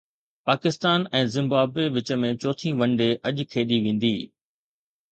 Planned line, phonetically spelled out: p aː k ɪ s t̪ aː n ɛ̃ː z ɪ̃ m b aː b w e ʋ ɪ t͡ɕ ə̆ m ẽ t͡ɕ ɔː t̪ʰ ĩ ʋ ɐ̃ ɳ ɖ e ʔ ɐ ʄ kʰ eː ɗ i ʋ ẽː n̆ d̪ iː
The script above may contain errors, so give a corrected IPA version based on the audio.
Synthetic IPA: p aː k ɪ s t̪ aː n ɛ̃ː z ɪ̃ m b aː b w e ʋ ɪ t͡ɕ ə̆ m ẽ t͡ɕ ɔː t̪ʰ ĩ ʋ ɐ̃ ɳ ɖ e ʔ ɐ ʄ kʰ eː ɗ i ʋ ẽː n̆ d̪ iː